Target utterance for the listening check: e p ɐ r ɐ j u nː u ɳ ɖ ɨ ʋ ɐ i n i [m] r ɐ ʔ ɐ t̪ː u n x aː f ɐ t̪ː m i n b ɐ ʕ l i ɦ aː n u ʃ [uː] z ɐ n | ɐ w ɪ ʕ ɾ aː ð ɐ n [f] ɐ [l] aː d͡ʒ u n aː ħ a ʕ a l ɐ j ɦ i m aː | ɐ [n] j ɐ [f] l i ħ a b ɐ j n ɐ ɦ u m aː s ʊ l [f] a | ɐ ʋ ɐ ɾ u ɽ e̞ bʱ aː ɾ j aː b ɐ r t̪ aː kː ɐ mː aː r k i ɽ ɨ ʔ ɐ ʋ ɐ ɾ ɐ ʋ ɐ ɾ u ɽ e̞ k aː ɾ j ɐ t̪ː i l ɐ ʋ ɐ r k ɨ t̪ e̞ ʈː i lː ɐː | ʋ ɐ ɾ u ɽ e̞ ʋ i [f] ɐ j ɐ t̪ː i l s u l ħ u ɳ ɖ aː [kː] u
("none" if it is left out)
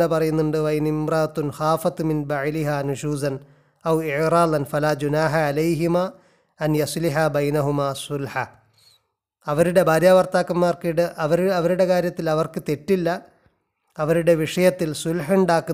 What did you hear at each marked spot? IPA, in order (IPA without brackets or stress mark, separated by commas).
m, uː, f, l, n, s, ħ, ʂ, kː